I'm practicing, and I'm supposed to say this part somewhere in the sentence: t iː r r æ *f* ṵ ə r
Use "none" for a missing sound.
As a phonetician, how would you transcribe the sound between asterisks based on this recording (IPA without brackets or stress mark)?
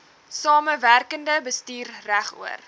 χ